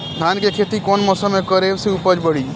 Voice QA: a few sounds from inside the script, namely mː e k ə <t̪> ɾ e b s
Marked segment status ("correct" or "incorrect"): incorrect